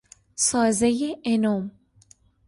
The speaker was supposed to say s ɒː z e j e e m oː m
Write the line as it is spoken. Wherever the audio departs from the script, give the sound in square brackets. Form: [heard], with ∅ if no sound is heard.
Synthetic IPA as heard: s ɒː z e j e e [n] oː m